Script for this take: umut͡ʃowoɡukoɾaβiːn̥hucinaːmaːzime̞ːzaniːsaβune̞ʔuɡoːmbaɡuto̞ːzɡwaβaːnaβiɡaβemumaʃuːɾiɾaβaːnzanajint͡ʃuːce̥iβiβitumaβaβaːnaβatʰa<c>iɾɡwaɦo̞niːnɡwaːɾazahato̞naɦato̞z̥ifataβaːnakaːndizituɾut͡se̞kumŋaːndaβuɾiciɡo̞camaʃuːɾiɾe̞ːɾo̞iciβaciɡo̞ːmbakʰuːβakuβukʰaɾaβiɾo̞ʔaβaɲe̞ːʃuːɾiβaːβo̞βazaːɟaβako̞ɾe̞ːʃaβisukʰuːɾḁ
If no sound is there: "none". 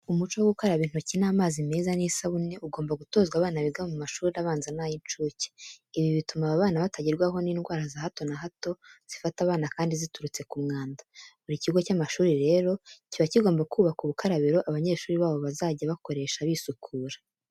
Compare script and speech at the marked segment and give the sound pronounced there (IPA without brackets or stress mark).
ɟ